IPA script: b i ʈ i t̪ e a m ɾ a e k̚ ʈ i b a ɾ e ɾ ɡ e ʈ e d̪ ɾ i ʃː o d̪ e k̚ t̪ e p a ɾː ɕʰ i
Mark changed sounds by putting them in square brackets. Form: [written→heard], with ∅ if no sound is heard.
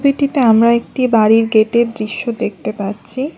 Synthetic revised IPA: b i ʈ i t̪ e a m ɾ a e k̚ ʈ i b a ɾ [e→i] ɾ ɡ e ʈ e d̪ ɾ i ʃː o d̪ e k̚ t̪ e p a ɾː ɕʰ i